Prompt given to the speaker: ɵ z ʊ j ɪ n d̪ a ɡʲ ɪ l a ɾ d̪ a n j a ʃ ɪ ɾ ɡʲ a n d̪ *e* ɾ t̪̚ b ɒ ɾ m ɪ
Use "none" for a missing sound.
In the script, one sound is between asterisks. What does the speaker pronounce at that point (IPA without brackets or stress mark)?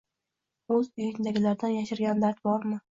a